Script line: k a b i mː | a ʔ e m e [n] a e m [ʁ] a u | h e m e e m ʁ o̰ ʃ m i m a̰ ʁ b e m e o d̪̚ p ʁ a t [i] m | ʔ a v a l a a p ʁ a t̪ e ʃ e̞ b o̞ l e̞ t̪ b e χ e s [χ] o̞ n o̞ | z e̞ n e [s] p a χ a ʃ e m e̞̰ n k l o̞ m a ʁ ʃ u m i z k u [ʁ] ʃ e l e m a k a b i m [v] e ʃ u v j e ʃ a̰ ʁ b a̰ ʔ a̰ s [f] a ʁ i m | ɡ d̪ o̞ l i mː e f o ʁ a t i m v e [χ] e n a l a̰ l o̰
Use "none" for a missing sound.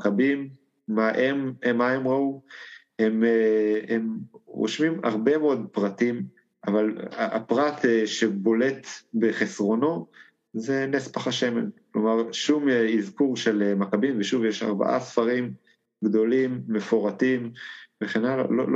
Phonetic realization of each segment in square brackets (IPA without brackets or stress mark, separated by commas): m, ʁ, i, ʁ, s, ʁ, v, f, χ